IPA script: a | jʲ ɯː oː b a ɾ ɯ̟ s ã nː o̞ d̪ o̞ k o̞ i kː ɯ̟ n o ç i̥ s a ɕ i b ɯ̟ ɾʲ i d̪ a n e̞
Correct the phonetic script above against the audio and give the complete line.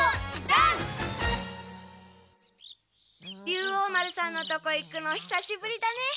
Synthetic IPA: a | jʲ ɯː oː m a ɾ ɯ̟ s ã nː o̞ t̪ o̞ k o̞ i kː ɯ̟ n o ç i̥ s a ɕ i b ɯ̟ ɾʲ i d̪ a n e̞

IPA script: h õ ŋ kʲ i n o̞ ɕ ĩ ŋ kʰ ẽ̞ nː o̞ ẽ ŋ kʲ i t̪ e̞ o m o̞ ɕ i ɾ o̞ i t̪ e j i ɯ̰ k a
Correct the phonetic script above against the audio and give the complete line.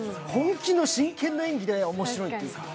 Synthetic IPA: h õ ŋ kʲ i n o̞ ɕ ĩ ŋ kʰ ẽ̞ nː o̞ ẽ ŋ ɡʲ i d̪ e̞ o m o̞ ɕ i ɾ o̞ i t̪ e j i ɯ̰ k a

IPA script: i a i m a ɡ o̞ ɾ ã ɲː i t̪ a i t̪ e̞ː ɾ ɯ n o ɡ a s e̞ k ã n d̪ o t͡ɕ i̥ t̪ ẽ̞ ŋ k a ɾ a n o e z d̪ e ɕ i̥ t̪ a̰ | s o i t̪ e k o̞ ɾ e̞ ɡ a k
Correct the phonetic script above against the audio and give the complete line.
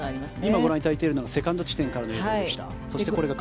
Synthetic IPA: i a i m a ɡ o̞ ɾ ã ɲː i t̪ a i t̪ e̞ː ɾ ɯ n o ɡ a s e̞ k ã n d̪ o t͡ɕ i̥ t̪ ẽ̞ ŋ k a ɾ a n o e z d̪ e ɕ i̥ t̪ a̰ | s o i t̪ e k o̞ ɾ e̞ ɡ a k

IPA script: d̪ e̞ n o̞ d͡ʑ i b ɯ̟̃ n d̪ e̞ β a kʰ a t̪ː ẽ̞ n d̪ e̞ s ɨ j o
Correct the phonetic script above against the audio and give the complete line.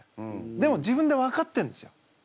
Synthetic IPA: d̪ e̞ m o̞ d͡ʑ i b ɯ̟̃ n d̪ e̞ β a k a t̪ː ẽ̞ n d̪ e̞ s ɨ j o

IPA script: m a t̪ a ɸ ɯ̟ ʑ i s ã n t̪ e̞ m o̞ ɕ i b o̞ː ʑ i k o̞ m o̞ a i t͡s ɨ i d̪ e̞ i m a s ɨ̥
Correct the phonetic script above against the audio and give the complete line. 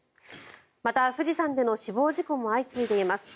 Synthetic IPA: m a t̪ a ɸ ɯ̟ ʑ i s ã n d̪ e̞ n o̞ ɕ i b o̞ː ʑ i k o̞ m o̞ a i t͡s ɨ i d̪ e̞ i m a s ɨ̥

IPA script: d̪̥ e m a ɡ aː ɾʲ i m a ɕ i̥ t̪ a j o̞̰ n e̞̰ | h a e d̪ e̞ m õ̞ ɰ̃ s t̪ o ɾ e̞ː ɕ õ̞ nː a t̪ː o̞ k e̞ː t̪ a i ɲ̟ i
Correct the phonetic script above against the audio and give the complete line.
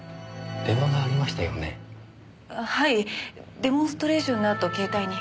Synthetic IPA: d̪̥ e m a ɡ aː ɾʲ i m a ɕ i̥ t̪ a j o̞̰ n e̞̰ | h a i d̪ e̞ m õ̞ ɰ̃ s t̪ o ɾ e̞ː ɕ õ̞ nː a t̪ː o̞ k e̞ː t̪ a i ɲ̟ i

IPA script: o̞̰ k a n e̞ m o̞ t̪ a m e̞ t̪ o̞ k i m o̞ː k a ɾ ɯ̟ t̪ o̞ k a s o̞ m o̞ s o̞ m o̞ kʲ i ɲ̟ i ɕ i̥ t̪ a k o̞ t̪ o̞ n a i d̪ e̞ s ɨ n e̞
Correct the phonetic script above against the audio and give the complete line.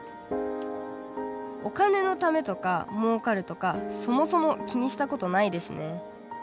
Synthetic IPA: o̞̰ k a n e̞ n o̞ t̪ a m e̞ t̪ o̞ k a m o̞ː k a ɾ ɯ̟ t̪ o̞ k a s o̞ m o̞ s o̞ m o̞ kʲ i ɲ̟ i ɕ i̥ t̪ a k o̞ t̪ o̞ n a i d̪ e̞ s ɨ n e̞

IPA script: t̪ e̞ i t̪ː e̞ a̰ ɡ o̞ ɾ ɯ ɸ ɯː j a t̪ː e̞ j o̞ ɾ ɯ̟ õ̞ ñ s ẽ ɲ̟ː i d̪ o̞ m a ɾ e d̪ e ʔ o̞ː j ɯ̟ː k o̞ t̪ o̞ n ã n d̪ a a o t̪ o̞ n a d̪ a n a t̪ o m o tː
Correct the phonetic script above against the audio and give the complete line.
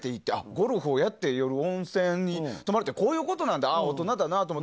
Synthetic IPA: t̪ e̞ i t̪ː e̞ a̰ ɡ o̞ ɾ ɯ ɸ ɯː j a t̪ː e̞ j o̞ ɾ ɯ̟ õ̞ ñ s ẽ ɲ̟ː i t̪ o̞ m a ɾ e t̪ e k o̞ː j ɯ̟ː k o̞ t̪ o̞ n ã n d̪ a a o t̪ o̞ n a d̪ a n a t̪ o m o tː

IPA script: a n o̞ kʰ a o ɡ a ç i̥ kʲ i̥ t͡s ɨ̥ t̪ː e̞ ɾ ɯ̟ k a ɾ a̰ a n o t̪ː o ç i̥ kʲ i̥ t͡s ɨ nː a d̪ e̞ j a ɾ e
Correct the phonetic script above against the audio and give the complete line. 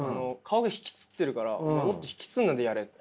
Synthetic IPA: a n o̞ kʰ a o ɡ a ç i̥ kʲ i̥ t͡s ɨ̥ t̪ː e̞ ɾ ɯ̟ k a ɾ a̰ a m o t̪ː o ç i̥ kʲ i̥ t͡s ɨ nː a d̪ e̞ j a ɾ e

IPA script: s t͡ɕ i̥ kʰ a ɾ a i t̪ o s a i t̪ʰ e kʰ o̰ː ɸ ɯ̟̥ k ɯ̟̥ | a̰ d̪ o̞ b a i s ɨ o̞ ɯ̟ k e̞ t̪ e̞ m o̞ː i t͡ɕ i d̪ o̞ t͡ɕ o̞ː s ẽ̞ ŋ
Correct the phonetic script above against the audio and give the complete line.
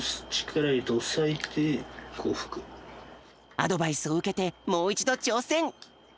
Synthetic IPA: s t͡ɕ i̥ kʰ a ɾ a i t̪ o s a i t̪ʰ e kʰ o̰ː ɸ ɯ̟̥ k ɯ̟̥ | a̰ d̪ o̞ b a i s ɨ o̞ ɯ̟ k e̞ t̪ e̞ m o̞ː i t͡ɕ i d̪ o̞ t͡ɕ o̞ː s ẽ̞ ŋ

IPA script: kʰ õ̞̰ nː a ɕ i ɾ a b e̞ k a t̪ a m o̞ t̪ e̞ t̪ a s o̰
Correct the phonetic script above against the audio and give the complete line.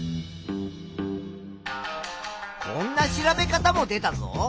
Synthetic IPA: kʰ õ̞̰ nː a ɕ i ɾ a b e̞ k a t̪ a m o̞ d̪ e̞ t̪ a z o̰

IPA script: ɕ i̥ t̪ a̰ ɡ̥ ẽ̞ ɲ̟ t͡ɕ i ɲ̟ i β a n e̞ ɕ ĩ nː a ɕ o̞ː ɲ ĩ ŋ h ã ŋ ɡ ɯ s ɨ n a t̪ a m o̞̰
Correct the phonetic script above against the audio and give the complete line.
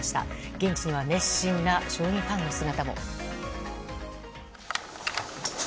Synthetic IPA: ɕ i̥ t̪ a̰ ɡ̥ ẽ̞ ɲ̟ t͡ɕ i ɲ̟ i β a n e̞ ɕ ĩ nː a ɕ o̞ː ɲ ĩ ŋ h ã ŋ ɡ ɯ s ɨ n a t̪ a m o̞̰

